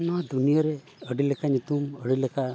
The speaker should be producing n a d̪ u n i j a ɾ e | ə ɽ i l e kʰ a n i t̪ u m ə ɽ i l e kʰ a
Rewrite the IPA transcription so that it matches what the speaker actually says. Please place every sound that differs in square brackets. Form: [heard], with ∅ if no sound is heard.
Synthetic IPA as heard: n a d̪ u n i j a ɾ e | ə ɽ i l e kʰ a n i t̪ u m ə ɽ i l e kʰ a